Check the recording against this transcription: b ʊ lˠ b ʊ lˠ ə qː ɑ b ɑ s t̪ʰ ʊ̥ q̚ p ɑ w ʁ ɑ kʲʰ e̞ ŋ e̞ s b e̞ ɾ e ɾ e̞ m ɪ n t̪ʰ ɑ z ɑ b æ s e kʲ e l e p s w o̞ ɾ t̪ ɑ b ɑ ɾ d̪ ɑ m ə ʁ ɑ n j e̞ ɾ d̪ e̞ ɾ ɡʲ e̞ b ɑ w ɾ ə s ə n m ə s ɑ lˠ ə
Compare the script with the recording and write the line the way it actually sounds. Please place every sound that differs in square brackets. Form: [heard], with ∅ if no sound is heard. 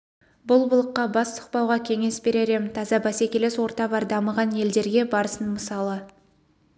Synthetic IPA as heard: b ʊ lˠ b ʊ lˠ ə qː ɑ b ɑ s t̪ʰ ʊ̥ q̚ p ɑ w ʁ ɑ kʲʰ e̞ ŋ e̞ s b e̞ ɾ e ɾ e̞ m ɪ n t̪ʰ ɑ z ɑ b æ s e kʲ e l e [∅] s w o̞ ɾ t̪ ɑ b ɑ ɾ d̪ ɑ m ə ʁ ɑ n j e̞ [l] d̪ e̞ ɾ ɡʲ e̞ b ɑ [∅] ɾ ə s ə n m ə s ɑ lˠ ə

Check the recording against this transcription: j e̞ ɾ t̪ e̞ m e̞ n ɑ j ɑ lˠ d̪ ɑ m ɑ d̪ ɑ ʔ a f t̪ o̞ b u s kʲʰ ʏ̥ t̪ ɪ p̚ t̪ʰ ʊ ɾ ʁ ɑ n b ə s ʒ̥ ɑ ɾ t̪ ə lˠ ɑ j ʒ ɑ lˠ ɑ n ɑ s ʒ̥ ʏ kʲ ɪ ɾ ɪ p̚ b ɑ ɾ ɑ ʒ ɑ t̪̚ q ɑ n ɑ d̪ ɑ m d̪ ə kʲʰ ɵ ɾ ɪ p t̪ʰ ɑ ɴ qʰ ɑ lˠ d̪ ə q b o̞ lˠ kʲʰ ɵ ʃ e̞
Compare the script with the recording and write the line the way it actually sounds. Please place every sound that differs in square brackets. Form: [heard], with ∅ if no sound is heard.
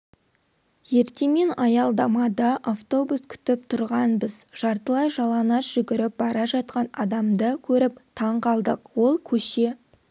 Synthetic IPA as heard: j e̞ ɾ t̪ e̞ m e̞ n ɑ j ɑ lˠ d̪ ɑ m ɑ d̪ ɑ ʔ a f t̪ o̞ b u s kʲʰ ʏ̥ t̪ ɪ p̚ t̪ʰ ʊ ɾ ʁ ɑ n b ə [z] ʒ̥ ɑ ɾ t̪ ə lˠ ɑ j ʒ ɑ lˠ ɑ n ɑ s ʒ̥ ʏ [ɡʲ] ɪ ɾ ɪ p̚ b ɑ ɾ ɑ ʒ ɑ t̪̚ q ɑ n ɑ d̪ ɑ m d̪ ə kʲʰ ɵ ɾ ɪ p t̪ʰ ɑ ɴ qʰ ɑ lˠ d̪ ə q [w] o̞ lˠ kʲʰ ɵ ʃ e̞

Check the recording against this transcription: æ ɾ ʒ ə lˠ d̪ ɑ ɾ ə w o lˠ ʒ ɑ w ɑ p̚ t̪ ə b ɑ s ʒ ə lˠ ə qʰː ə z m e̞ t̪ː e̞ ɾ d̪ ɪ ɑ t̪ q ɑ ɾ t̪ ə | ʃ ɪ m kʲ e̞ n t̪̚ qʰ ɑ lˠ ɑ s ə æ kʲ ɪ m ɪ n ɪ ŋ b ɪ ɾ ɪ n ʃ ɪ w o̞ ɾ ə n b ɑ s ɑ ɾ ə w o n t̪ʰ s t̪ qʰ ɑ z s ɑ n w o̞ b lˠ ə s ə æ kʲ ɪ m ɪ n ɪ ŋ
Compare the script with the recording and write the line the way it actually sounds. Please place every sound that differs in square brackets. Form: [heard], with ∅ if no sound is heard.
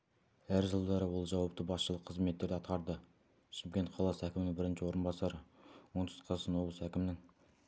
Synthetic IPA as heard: æ ɾ ʒ ə lˠ d̪ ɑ ɾ ə w o lˠ ʒ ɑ w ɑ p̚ t̪ ə b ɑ s [ʃ] ə lˠ ə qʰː ə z m e̞ t̪ː e̞ ɾ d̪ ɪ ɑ t̪ q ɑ ɾ [d̪] ə | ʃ ɪ m kʲ e̞ n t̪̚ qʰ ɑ lˠ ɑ s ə æ kʲ ɪ m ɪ n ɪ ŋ b ɪ ɾ ɪ n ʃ ɪ w o̞ ɾ ə n b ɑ s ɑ ɾ ə w o n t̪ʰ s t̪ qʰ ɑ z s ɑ n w o̞ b lˠ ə s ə æ kʲ ɪ m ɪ n ɪ ŋ

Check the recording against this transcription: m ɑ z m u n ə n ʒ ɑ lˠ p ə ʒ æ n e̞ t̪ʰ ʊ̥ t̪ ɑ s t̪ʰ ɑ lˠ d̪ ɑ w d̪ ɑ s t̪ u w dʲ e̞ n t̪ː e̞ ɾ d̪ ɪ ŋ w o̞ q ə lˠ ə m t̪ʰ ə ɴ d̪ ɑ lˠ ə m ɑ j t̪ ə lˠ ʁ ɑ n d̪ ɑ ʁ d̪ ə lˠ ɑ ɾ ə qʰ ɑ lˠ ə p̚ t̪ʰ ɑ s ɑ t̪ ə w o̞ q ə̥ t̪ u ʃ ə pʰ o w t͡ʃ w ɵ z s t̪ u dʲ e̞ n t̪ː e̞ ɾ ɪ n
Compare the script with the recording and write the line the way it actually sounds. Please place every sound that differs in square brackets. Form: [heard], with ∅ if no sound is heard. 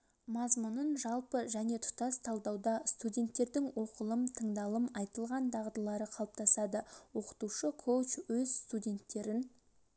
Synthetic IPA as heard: m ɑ z m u n ə n ʒ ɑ lˠ p ə ʒ æ n e̞ t̪ʰ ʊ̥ t̪ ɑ s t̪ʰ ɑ lˠ d̪ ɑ w d̪ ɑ s t̪ u [∅] dʲ e̞ n t̪ː e̞ ɾ d̪ ɪ ŋ w o̞ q ə lˠ ə m t̪ʰ ə ɴ d̪ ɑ lˠ ə m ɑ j t̪ ə lˠ ʁ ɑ n d̪ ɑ ʁ d̪ ə lˠ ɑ ɾ ə qʰ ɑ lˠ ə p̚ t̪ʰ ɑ s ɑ [d̪] ə w o̞ q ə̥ t̪ u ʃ ə [kʰ] o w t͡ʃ w ɵ z s t̪ u dʲ e̞ n t̪ː e̞ ɾ ɪ n

